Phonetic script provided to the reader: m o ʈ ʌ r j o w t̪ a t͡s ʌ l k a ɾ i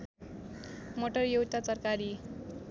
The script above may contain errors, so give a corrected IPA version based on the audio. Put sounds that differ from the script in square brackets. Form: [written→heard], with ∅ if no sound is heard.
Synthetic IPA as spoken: m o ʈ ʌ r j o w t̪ a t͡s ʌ [l→r] k a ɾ i